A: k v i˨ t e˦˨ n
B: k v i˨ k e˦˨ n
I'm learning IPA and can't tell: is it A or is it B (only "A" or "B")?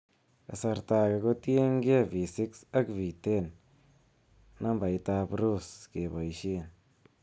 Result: A